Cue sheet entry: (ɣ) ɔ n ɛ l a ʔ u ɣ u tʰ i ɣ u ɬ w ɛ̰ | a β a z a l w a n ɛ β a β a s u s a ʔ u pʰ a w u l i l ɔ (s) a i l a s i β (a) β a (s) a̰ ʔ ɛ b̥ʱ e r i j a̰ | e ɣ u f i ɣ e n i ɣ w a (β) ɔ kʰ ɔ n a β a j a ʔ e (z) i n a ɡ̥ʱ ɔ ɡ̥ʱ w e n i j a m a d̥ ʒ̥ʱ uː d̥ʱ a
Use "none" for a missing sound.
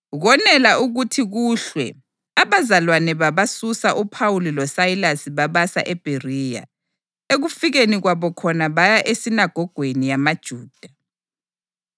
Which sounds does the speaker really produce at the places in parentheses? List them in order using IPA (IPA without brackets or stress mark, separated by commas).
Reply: ɣ, s, a, s, β, s